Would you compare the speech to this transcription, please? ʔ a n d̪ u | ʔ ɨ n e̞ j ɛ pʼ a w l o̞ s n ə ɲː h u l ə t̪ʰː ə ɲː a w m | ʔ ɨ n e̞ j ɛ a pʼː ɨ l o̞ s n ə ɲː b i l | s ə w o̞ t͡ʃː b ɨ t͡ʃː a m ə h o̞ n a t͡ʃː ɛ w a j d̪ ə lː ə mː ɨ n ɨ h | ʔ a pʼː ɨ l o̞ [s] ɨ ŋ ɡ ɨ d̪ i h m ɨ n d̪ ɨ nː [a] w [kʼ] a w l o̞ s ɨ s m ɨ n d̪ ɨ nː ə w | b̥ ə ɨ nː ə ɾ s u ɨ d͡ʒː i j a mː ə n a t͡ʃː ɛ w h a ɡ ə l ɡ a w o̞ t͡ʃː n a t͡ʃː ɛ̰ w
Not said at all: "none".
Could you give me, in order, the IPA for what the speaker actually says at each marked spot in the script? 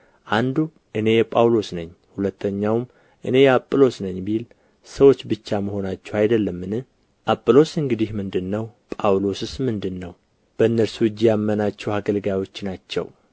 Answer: s, ə, pʼ

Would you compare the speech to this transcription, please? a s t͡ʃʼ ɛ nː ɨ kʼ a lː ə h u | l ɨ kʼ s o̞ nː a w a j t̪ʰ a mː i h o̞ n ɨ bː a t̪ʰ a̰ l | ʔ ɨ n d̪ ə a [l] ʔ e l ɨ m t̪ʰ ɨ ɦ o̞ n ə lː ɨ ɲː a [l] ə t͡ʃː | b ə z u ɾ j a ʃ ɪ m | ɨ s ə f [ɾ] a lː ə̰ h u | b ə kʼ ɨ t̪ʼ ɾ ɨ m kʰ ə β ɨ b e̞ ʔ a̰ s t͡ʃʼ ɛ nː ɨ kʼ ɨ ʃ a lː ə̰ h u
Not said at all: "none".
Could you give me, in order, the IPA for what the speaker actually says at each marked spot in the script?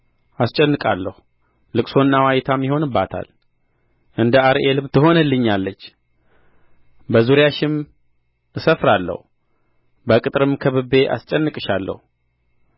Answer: ɾ, lː, ɾ

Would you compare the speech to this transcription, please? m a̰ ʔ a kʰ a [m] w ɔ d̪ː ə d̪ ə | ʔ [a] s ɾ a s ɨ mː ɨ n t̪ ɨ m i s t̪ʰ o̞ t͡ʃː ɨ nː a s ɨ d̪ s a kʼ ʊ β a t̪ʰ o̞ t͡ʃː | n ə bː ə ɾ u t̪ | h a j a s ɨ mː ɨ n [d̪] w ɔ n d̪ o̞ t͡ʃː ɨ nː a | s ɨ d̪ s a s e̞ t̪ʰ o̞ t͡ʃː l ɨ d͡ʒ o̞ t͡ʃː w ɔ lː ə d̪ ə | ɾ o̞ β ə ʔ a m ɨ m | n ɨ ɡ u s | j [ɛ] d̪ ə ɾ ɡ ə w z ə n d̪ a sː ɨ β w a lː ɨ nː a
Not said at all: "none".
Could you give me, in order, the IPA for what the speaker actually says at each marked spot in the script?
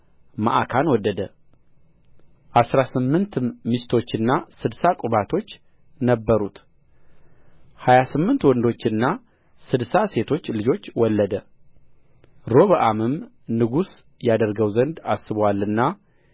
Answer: n, a, t̪, a

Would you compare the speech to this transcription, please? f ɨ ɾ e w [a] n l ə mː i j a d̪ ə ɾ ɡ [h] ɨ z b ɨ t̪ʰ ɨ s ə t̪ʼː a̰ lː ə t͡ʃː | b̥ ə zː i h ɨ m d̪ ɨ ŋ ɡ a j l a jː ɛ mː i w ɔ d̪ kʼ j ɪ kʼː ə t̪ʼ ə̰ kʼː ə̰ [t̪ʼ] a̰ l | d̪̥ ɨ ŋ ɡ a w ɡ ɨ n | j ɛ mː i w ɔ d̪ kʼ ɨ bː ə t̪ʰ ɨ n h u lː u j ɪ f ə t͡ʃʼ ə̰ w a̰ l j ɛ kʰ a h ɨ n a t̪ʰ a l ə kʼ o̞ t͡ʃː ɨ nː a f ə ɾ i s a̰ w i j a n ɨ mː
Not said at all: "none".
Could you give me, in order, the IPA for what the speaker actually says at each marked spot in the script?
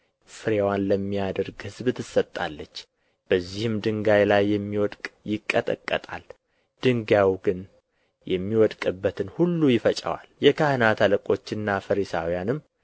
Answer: a, h, t̪ʼ

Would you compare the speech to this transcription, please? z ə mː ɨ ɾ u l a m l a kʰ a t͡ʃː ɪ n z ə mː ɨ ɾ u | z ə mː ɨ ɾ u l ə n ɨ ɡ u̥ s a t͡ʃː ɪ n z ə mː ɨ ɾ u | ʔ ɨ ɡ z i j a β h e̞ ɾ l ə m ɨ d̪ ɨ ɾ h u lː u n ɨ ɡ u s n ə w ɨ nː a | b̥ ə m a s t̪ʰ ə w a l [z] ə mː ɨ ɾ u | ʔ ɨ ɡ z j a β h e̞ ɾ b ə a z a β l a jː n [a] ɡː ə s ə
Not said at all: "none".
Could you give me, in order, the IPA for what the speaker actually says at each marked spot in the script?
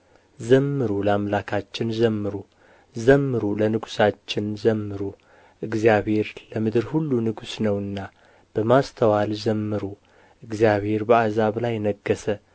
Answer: z, ə

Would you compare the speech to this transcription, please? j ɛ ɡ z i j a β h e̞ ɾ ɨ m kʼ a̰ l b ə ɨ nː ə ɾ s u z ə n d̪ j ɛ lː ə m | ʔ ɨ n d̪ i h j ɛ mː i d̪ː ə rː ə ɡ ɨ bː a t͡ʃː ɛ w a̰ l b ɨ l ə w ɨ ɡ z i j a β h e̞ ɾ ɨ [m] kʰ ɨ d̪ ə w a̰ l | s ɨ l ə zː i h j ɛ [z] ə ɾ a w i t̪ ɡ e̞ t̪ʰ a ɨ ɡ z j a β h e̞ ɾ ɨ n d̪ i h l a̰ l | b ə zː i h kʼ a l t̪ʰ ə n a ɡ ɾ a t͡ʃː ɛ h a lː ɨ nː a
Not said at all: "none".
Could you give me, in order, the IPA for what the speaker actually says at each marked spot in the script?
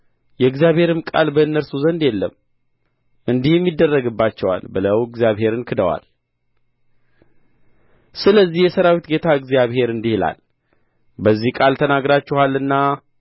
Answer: n, s

